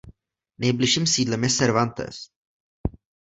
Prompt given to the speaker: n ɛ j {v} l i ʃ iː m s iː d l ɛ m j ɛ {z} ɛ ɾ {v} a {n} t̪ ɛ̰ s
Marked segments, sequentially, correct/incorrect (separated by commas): incorrect, incorrect, correct, correct